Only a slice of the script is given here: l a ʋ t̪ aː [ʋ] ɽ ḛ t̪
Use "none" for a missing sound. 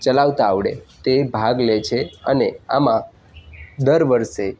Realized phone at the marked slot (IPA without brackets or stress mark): ʋ